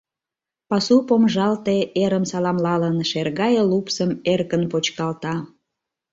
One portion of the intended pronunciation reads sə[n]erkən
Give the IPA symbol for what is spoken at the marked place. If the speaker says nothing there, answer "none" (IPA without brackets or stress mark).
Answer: m